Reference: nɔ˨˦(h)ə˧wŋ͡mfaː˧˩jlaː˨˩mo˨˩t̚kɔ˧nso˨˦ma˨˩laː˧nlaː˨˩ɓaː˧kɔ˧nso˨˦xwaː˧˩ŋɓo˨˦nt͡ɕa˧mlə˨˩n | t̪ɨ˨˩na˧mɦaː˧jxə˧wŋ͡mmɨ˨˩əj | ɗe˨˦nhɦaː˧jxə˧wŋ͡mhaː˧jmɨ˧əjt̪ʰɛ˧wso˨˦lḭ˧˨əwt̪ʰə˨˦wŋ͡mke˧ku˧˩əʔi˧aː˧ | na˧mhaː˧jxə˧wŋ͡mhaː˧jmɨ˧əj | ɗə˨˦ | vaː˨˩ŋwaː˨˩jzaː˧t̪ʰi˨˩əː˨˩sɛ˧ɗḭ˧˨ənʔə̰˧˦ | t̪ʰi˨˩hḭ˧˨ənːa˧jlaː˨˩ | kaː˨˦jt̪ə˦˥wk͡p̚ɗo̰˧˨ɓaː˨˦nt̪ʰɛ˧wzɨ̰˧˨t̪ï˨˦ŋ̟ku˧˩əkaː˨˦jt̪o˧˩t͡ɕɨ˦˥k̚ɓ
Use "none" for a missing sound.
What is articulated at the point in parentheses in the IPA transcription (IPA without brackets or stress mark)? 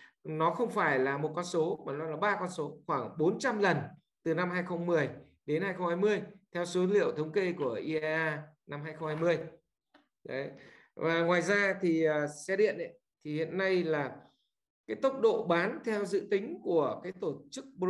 x